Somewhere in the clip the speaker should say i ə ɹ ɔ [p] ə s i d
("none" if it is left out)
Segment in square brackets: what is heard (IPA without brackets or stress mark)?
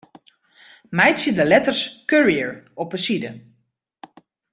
p